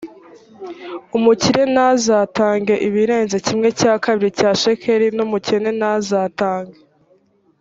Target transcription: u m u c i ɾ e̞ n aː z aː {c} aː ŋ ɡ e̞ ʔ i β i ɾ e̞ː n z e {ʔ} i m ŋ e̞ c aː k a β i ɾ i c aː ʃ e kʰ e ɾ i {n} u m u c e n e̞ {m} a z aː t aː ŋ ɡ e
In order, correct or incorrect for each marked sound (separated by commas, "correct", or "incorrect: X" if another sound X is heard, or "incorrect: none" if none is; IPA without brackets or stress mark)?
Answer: incorrect: t, incorrect: c, correct, incorrect: n